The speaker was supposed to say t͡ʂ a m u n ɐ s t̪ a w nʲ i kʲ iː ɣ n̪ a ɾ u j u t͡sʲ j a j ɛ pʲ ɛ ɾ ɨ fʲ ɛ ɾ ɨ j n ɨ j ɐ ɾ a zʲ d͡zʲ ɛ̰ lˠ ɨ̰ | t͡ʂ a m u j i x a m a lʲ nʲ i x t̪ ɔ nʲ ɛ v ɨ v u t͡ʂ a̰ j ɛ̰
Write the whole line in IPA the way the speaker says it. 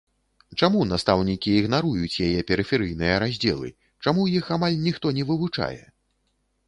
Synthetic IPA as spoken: t͡ʂ a m u n a s t̪ a w nʲ i kʲ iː ɣ n̪ a ɾ u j u t͡sʲ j a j ɛ pʲ ɛ ɾ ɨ fʲ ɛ ɾ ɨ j n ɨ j ɐ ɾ a zʲ d͡zʲ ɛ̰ lˠ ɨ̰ | t͡ʂ a m u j i x a m a lʲ nʲ i x t̪ ɔ nʲ ɛ v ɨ v u t͡ʂ a̰ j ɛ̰